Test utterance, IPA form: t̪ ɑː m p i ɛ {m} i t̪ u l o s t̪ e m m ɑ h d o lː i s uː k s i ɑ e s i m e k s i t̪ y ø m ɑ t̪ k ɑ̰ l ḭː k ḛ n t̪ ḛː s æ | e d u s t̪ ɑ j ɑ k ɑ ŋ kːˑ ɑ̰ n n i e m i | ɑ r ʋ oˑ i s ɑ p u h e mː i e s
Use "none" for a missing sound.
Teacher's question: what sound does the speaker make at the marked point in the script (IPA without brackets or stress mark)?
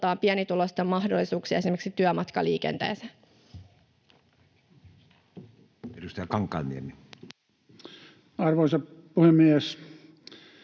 n